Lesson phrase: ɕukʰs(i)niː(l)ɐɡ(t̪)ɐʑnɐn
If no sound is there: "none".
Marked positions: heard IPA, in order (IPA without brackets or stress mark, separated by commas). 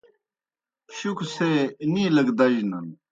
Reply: e, l, d̪